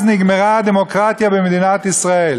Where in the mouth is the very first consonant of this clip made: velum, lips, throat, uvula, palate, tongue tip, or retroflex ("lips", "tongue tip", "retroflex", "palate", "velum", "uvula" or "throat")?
tongue tip